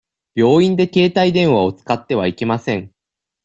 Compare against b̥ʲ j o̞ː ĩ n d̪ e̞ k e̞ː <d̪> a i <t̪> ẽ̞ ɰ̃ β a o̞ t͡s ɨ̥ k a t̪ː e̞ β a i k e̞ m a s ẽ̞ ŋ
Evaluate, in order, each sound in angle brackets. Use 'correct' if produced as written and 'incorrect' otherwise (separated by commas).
incorrect, incorrect